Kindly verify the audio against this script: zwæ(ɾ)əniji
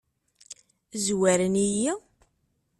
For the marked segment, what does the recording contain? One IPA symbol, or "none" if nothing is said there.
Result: ɾ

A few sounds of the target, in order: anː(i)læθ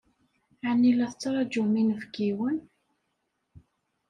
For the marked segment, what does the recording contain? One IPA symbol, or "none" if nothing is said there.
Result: i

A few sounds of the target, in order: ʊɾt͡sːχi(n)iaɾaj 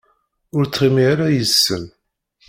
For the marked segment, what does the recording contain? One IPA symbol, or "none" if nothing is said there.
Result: m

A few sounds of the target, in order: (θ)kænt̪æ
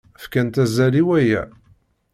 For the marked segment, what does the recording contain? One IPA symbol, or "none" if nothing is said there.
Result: f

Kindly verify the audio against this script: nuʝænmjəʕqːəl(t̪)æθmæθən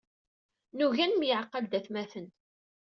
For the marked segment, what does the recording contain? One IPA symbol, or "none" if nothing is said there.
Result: d̪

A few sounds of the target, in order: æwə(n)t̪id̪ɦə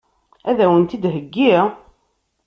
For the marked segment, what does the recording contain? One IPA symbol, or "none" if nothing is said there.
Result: n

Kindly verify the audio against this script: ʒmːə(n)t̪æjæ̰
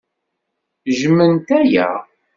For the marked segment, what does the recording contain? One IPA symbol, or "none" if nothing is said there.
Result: n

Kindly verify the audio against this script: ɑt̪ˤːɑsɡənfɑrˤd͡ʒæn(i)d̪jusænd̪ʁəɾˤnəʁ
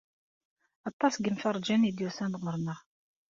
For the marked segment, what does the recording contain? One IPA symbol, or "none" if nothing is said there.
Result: i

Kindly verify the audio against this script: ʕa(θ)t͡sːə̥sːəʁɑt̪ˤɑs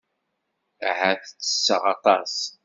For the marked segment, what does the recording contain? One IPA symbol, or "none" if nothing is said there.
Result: θ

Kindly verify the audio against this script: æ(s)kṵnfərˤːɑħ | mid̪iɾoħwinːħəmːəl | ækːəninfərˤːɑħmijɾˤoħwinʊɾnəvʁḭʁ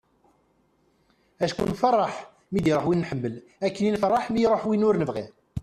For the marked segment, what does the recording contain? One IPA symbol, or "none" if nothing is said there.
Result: ʃ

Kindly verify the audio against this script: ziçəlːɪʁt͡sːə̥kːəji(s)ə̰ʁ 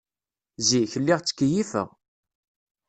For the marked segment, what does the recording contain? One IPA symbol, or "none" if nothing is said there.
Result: f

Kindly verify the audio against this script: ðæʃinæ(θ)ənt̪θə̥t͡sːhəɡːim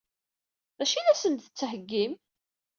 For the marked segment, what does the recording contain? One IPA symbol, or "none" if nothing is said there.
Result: s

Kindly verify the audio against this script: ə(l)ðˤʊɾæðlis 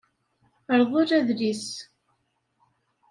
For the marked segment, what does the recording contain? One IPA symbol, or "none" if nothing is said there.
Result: ɾ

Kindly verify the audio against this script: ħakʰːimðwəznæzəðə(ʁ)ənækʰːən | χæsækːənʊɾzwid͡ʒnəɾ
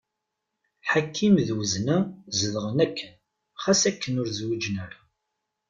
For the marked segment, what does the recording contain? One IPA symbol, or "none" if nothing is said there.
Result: ʁ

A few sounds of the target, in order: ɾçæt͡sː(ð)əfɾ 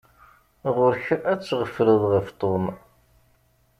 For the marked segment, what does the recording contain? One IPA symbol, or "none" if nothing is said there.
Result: ʁ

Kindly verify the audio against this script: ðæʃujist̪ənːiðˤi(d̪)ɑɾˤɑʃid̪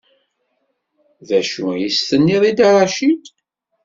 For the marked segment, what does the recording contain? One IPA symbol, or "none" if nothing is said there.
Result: d̪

